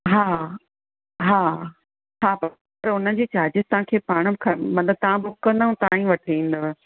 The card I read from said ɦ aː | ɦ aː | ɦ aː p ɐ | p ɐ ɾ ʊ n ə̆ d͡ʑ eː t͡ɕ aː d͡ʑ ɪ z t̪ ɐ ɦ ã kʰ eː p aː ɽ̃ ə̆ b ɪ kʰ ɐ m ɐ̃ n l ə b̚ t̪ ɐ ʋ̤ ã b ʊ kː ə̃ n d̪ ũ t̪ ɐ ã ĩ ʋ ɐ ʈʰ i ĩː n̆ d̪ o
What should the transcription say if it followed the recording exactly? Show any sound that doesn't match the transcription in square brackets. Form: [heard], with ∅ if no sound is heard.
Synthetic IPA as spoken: ɦ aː | ɦ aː | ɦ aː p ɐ | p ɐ ɾ ʊ n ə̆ d͡ʑ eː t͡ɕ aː d͡ʑ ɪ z t̪ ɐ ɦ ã kʰ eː p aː ɽ̃ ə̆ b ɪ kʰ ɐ m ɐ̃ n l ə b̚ t̪ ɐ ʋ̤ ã b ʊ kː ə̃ n d̪ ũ t̪ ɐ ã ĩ ʋ ɐ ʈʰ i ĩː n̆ d̪ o